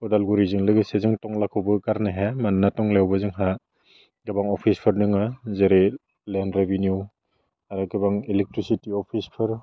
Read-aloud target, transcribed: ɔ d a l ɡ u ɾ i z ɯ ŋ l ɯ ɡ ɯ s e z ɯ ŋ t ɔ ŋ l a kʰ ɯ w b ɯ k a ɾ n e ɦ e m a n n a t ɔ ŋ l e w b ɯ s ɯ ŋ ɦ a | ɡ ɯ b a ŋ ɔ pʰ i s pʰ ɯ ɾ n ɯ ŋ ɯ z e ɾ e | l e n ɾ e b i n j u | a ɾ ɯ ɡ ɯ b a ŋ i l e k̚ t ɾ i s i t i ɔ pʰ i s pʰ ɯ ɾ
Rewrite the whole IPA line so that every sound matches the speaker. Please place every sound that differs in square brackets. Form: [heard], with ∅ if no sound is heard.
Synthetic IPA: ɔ d a l ɡ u ɾ i z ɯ ŋ l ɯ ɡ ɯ s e z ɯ ŋ t ɔ ŋ l a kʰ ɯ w b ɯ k a ɾ n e ɦ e m a n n a t ɔ ŋ l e w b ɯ [z] ɯ ŋ ɦ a | ɡ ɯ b a ŋ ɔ pʰ i s pʰ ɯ ɾ n ɯ ŋ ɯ z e ɾ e | l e n ɾ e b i n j u | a ɾ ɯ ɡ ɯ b a ŋ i l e k̚ t ɾ i s i t i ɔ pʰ i s pʰ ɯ ɾ